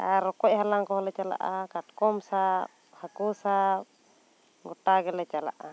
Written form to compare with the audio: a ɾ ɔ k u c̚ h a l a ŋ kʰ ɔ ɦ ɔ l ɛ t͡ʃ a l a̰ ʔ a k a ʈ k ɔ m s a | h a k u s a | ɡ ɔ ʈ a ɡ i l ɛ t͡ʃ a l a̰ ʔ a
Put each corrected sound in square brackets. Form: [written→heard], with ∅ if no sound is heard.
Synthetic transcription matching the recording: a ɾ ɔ k [u→ɔ] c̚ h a l a ŋ [kʰ→k] ɔ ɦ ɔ l ɛ t͡ʃ a l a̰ ʔ a k a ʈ k ɔ m s a | h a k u s a | ɡ ɔ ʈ a ɡ [i→ɛ] l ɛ t͡ʃ a l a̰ ʔ a